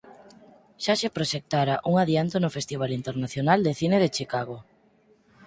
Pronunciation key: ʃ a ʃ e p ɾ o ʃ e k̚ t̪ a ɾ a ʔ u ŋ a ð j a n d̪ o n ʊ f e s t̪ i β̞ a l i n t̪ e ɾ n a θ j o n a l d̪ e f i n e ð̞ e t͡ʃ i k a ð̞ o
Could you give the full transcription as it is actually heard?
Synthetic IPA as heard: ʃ a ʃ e p ɾ o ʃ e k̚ t̪ a ɾ a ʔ u ŋ a ð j a n t̪ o n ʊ f e s t̪ i β̞ a l i n t̪ e ɾ n a θ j o n a l d̪ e θ i n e ð̞ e t͡ʃ i k a ɣ̞ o

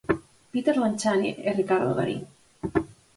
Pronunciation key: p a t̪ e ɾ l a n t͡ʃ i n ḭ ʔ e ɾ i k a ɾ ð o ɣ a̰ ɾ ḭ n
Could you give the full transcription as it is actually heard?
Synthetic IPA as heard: p i t̪ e ɾ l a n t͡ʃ a n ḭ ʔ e r i k a ɾ ð o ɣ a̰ ɾ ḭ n

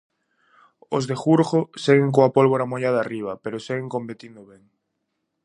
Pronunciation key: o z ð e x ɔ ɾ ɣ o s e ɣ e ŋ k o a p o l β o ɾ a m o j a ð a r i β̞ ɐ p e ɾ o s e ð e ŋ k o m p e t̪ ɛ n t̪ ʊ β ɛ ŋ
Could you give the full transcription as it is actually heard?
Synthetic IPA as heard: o z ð e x u ɾ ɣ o s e ɣ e ŋ k o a p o l β o ɾ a m o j a ð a r i β̞ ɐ p e ɾ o s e ɣ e ŋ k o m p e t̪ i n d̪ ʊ β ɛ ŋ

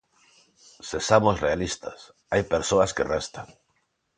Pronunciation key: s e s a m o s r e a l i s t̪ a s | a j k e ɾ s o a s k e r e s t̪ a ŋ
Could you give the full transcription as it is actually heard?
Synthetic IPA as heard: s e s a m o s r e a l i s t̪ a s | a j p e ɾ s o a s k e r e s t̪ a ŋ

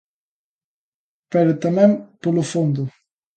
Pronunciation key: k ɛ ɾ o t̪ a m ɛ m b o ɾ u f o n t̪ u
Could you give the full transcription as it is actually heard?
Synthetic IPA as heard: p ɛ ɾ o t̪ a m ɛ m p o l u f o n d̪ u

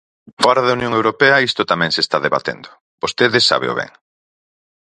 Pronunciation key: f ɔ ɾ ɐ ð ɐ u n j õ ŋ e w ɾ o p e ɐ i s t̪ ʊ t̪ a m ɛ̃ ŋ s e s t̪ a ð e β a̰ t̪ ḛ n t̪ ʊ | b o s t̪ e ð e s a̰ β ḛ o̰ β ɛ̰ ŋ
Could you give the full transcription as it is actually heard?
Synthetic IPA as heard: f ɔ ɾ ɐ ð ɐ u n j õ ŋ e w ɾ o p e ɐ i s t̪ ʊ t̪ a m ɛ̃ ŋ s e s t̪ a ð e β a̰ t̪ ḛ n d̪ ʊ | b o s t̪ e ð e s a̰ β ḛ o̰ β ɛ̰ ŋ

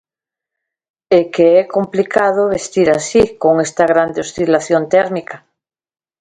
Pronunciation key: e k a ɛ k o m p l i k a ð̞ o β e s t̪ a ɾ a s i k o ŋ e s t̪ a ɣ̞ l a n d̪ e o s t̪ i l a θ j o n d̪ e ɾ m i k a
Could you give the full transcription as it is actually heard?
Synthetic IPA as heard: e k e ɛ k o m p l i k a ð̞ o β e s t̪ i ɾ a s i k o ŋ e s t̪ a ɣ̞ ɾ a n d̪ e o s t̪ i l a θ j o n t̪ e ɾ m i k a

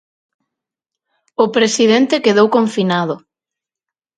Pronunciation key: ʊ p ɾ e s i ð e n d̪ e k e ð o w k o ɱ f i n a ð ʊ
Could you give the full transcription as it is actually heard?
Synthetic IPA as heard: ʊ p ɾ e s i ð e n t̪ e k e ð o w k o ɱ f i n a ð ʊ

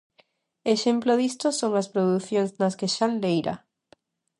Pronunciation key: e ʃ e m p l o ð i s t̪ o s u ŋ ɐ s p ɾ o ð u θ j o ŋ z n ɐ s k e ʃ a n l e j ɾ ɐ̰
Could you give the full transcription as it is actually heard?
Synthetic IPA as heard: e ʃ e m p l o ð i s t̪ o s o ŋ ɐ s p ɾ o ð u θ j o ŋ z n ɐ s k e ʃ a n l e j ɾ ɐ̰

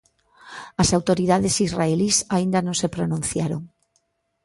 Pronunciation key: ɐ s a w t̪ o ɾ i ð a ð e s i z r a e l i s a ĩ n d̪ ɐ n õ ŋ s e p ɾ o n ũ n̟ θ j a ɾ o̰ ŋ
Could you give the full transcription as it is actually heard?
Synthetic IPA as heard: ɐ s a w t̪ o ɾ i ð a ð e s i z r a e l i s a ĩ n d̪ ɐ n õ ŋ s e p ɾ o n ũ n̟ θ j a ɾ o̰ ŋ

